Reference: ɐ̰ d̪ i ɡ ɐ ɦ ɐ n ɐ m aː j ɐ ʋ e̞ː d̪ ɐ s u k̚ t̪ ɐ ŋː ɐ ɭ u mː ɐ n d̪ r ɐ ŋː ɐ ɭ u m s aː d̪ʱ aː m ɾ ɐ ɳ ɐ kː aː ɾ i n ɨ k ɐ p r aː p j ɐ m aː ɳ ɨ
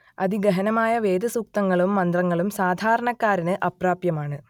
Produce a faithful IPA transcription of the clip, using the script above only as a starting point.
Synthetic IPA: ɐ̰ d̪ i ɡ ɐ ɦ ɐ n ɐ m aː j ɐ ʋ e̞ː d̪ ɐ s u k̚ t̪ ɐ ŋː ɐ ɭ u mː ɐ n d̪ r ɐ ŋː ɐ ɭ u m s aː d̪ʱ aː ɾ ɐ ɳ ɐ kː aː ɾ i n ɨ ʔ ɐ p r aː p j ɐ m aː ɳ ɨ